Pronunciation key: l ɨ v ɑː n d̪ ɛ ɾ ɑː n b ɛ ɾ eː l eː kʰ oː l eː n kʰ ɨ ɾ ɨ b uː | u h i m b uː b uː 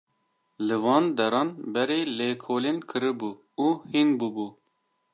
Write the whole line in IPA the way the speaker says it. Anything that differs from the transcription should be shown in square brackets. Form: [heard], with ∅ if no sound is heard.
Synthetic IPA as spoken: l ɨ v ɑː n d̪ ɛ ɾ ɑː n b ɛ ɾ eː l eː kʰ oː l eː n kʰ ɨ ɾ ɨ b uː | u h i [n] b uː b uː